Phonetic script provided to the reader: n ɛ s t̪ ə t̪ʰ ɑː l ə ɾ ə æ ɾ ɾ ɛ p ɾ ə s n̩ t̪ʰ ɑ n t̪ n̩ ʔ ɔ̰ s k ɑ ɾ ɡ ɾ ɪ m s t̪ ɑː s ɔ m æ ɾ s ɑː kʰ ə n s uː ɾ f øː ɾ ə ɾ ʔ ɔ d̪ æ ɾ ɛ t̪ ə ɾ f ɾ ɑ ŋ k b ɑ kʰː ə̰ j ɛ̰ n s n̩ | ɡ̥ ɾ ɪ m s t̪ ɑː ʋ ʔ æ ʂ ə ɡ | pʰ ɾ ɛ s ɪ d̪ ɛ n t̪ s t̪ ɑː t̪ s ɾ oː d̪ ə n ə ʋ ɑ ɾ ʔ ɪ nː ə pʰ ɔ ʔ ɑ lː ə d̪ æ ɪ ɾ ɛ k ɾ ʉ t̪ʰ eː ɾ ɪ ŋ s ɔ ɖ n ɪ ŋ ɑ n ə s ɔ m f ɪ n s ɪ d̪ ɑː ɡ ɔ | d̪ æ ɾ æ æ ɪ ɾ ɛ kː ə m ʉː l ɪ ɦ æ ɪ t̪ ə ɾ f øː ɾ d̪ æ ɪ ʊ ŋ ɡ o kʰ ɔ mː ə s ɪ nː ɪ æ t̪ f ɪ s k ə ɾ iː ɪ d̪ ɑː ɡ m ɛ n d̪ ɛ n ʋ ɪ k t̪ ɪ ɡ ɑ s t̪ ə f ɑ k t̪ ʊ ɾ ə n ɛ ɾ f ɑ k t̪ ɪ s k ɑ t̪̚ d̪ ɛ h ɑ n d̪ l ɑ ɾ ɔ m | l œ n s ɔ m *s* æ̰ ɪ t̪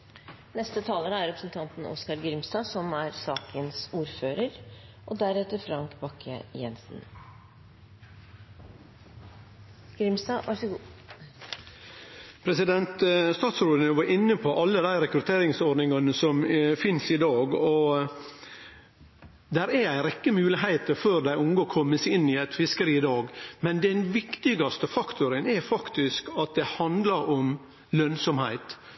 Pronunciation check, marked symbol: incorrect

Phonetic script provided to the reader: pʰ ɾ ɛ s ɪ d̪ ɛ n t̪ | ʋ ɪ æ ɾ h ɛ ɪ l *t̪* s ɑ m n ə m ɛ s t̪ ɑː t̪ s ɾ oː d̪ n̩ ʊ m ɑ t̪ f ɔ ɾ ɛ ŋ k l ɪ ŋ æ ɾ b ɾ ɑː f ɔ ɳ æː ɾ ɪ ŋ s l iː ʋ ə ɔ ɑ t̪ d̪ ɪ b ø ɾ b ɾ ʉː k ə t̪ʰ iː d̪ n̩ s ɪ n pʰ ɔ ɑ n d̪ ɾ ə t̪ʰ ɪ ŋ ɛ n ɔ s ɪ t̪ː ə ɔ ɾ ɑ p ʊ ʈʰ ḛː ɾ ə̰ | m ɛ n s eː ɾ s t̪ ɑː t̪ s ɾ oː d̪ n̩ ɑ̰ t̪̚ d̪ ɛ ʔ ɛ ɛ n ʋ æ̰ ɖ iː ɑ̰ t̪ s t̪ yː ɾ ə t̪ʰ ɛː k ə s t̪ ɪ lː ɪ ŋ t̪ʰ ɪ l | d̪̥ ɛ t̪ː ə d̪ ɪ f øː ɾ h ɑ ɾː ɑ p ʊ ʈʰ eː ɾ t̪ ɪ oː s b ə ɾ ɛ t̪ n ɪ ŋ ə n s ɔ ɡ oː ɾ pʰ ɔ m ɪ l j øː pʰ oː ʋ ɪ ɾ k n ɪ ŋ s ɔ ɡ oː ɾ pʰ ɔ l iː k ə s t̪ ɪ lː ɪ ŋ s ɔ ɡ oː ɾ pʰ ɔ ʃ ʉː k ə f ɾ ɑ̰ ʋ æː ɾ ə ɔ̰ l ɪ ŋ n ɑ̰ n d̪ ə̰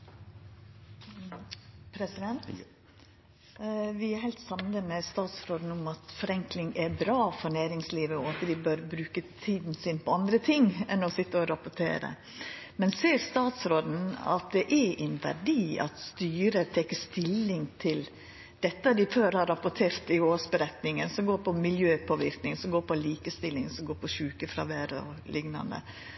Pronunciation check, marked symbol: correct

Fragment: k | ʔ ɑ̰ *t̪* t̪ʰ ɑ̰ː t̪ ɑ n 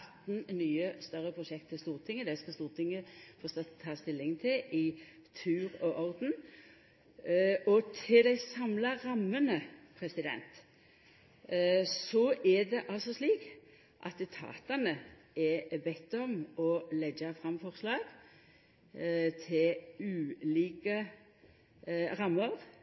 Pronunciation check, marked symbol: correct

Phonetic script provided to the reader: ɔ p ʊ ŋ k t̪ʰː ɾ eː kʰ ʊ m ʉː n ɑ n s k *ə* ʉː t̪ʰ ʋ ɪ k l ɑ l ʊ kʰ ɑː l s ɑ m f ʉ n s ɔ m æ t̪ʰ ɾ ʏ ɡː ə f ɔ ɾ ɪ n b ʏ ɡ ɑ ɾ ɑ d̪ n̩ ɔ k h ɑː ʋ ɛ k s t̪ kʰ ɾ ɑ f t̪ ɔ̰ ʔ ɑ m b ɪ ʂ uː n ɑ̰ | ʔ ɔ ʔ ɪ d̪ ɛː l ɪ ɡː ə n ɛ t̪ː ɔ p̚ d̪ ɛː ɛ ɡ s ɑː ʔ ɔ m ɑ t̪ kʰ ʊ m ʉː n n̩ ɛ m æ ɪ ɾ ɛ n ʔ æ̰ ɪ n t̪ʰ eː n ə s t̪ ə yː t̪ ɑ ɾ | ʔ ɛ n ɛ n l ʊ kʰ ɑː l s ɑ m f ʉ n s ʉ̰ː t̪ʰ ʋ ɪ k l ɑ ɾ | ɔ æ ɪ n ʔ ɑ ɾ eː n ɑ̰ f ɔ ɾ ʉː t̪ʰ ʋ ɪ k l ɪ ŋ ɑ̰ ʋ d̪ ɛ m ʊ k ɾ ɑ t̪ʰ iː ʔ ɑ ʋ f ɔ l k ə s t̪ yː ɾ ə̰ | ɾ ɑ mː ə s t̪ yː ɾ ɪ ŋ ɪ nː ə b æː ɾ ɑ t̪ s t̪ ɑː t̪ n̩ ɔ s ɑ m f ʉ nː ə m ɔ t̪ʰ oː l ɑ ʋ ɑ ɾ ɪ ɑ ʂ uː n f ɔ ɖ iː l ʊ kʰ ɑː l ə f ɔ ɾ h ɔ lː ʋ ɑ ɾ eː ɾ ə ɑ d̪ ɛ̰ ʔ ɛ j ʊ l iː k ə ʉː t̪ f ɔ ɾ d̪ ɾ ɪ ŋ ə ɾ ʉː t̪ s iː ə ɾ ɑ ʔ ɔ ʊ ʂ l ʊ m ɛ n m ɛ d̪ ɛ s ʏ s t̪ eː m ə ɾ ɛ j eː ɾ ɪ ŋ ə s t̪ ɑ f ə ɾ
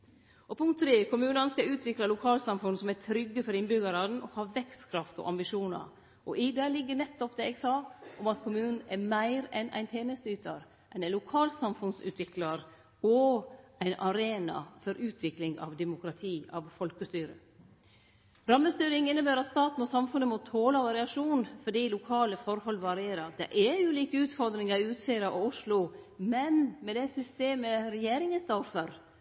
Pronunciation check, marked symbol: incorrect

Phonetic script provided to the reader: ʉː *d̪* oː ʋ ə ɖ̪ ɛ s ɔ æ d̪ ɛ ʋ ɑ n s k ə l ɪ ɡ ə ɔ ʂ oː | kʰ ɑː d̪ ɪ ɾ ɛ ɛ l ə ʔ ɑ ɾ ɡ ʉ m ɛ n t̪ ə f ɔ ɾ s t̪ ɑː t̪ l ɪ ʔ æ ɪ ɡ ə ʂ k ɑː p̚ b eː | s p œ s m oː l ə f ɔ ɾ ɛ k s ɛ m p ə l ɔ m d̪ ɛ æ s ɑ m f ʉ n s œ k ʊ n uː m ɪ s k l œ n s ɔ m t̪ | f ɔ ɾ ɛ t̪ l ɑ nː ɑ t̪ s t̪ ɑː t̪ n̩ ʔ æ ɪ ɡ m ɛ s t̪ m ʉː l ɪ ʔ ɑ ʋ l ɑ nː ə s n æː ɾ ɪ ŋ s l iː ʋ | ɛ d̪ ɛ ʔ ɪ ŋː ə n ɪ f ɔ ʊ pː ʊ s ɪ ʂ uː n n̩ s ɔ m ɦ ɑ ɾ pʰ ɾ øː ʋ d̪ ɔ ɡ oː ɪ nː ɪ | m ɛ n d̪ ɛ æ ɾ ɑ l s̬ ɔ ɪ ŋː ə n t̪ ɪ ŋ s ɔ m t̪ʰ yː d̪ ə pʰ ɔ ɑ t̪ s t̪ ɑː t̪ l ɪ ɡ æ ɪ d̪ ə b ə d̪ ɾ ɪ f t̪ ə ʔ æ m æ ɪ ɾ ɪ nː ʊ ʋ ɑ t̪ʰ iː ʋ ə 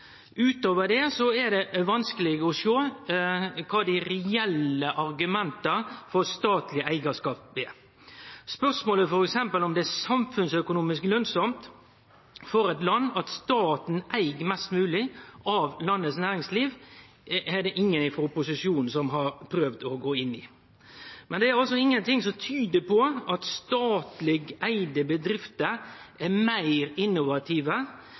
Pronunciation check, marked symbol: incorrect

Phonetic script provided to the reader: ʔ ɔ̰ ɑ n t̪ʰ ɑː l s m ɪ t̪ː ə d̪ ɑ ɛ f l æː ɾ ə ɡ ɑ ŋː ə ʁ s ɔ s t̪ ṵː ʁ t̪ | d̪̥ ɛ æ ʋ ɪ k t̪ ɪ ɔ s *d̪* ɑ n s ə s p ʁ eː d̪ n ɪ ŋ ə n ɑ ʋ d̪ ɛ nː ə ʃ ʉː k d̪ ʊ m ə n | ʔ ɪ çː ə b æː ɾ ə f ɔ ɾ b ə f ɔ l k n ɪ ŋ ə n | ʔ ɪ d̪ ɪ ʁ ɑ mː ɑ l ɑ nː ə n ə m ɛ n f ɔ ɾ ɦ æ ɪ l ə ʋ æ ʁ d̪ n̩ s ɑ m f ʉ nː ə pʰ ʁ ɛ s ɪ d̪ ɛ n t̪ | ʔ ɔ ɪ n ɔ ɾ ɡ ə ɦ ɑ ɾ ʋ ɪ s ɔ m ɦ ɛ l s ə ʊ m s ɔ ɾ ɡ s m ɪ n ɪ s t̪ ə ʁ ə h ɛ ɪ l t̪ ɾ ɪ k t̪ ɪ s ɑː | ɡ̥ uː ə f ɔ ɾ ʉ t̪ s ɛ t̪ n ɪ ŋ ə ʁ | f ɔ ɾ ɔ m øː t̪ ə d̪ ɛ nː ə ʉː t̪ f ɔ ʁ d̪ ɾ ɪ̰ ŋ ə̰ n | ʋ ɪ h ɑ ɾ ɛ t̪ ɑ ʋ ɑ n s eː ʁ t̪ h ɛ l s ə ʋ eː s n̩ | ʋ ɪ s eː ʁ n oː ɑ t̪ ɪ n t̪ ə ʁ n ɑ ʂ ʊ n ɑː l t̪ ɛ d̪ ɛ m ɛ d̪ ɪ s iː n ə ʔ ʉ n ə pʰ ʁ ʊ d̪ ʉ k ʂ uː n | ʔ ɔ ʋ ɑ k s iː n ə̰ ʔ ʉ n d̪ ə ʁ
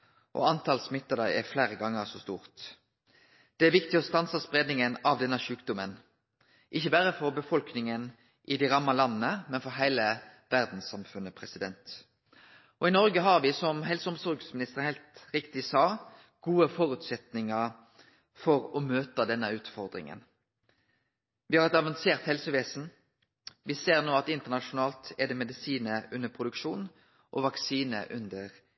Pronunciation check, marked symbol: incorrect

